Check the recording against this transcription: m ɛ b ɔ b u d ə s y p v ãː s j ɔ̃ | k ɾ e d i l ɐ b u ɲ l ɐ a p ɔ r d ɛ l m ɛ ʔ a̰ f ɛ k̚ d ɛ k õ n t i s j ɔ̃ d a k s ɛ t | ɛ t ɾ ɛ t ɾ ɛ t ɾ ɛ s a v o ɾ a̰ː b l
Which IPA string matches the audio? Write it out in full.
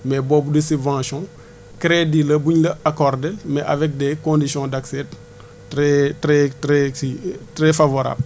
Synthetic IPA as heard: m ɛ b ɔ b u d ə s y b v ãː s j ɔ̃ | k ɾ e d i l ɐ b u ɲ l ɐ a k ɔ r d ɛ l m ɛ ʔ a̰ v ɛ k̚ d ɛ k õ n d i s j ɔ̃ d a k s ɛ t | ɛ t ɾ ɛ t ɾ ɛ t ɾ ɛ f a v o ɾ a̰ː b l